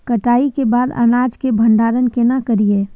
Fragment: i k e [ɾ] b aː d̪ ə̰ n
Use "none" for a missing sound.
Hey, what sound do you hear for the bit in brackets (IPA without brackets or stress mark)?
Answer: none